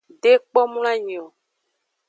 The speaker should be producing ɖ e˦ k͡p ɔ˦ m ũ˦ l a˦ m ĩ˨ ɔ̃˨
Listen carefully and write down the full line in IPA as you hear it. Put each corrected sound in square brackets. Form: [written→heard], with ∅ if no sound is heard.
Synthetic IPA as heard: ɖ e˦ k͡p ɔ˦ m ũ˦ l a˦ [m→ɲ] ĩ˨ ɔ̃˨